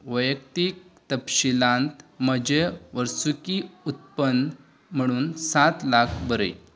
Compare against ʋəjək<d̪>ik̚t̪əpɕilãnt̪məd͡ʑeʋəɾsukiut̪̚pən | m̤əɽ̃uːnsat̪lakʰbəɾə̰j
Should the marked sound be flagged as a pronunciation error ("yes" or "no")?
yes